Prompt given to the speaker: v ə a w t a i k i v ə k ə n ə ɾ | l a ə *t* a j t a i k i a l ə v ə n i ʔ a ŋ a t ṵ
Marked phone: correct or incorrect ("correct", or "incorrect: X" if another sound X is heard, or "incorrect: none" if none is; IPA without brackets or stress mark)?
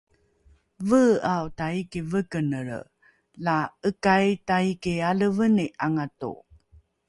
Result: incorrect: k